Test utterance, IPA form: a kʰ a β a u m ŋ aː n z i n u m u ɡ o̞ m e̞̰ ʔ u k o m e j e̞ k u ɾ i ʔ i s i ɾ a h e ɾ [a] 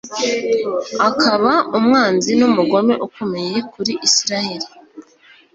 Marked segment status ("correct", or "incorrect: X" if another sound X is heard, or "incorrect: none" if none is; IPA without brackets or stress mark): incorrect: i